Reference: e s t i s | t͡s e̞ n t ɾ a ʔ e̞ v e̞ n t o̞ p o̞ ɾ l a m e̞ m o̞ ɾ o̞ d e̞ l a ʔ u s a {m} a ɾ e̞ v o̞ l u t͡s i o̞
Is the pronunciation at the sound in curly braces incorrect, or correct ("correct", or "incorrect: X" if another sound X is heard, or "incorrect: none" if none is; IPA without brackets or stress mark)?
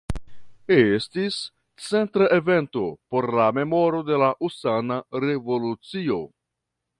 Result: incorrect: n